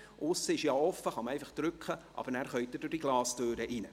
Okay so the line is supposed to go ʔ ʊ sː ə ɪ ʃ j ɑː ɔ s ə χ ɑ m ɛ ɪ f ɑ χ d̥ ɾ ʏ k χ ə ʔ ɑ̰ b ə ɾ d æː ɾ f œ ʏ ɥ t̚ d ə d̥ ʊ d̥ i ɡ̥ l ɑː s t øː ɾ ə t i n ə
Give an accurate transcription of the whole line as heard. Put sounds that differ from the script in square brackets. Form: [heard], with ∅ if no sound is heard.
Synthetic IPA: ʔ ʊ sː ə ɪ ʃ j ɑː ɔ [f] ə χ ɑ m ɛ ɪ f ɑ χ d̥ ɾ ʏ k χ ə ʔ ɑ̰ b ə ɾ [n] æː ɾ [χ] œ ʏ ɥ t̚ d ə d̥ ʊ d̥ i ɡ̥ l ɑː s t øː ɾ ə [ʔ] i n ə